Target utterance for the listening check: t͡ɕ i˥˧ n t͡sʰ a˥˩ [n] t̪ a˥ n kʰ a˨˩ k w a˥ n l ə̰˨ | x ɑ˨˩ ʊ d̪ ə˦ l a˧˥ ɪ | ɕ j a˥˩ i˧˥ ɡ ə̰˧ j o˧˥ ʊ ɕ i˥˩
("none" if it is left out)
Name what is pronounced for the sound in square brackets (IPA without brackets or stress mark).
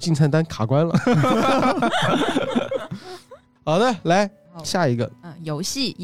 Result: n